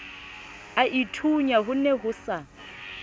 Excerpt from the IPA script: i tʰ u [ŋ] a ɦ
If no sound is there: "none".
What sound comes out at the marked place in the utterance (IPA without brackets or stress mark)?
ɲ